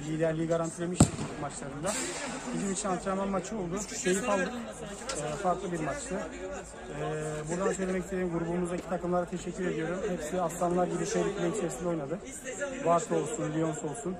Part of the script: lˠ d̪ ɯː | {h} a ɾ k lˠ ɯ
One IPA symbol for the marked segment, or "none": f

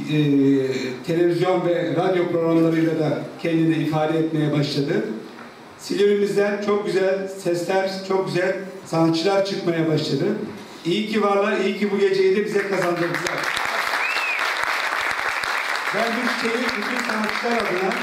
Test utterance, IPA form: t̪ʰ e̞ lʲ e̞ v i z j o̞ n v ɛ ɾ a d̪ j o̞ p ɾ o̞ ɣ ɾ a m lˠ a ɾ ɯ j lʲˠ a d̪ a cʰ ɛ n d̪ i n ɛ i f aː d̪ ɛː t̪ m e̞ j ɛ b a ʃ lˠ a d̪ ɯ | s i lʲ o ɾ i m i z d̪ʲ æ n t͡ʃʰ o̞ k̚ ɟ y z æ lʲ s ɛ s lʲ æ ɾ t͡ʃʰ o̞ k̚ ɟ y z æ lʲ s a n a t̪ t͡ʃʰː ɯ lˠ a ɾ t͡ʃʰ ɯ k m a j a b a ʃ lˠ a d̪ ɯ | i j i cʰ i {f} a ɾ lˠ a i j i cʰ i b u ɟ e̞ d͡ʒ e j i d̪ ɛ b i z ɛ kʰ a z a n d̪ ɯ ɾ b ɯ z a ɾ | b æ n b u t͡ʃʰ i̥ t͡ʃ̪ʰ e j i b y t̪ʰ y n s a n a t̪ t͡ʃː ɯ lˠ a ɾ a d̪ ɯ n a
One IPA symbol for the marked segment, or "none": v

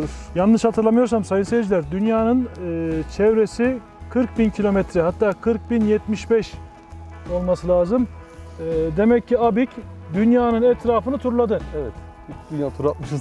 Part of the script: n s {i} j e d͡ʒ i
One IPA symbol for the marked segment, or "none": e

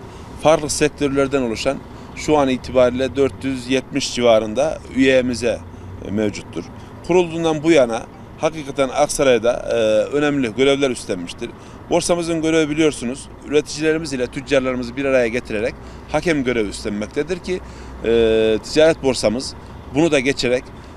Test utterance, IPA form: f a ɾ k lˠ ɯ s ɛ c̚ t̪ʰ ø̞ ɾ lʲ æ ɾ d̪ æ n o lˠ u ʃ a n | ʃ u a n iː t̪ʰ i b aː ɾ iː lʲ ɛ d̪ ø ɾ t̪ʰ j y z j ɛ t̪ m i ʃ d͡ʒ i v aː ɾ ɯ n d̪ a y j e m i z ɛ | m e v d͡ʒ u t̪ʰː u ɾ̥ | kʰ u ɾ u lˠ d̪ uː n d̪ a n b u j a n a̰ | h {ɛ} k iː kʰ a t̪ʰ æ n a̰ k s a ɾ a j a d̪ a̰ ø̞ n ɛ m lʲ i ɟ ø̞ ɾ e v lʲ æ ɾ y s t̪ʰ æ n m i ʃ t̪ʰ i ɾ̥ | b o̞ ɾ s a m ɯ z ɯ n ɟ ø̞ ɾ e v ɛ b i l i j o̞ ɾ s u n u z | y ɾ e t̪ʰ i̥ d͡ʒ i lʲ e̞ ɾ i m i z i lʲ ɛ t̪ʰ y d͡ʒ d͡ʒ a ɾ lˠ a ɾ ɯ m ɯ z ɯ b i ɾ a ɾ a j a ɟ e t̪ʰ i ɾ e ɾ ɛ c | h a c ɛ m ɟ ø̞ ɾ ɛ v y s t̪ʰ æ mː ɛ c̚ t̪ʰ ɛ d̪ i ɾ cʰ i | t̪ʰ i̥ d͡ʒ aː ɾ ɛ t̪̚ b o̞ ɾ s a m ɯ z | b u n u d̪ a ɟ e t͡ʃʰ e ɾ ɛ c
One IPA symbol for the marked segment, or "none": a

